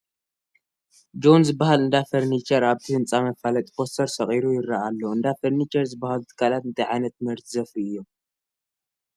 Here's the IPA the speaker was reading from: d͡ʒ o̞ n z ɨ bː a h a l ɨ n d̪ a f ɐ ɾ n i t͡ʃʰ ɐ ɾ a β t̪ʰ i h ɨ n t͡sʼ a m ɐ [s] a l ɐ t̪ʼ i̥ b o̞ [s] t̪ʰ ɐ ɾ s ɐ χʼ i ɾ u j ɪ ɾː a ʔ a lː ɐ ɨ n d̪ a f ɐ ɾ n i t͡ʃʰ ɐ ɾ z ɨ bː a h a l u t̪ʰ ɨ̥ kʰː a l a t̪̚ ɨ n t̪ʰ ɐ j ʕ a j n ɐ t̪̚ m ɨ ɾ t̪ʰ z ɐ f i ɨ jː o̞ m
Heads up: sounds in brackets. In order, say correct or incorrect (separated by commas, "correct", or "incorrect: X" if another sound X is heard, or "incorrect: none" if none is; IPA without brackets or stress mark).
incorrect: f, correct